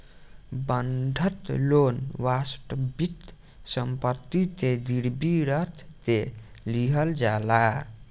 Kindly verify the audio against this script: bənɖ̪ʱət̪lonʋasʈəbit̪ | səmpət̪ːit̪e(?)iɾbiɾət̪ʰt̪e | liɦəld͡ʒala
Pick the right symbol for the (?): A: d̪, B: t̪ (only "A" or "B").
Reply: A